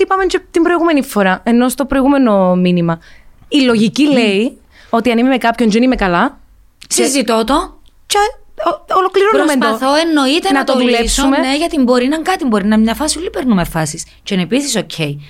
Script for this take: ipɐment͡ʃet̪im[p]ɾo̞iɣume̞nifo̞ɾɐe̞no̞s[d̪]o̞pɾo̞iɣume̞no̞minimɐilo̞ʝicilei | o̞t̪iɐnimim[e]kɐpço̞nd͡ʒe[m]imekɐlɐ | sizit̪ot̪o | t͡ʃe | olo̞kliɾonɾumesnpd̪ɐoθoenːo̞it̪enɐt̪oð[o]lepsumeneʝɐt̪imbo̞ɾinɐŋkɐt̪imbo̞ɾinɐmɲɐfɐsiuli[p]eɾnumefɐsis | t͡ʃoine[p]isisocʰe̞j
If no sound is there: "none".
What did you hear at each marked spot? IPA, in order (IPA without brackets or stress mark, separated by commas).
b, t̪, e, n, u, p, p